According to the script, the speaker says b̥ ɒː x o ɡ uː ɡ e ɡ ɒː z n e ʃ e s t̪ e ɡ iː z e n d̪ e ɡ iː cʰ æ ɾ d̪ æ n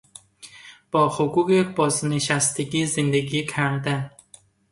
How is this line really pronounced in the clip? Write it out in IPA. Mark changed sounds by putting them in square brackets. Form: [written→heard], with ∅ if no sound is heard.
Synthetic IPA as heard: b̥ ɒː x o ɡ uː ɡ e [ɡ→b] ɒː z n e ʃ [e→æ] s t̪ e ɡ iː z e n d̪ e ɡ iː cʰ æ ɾ d̪ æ n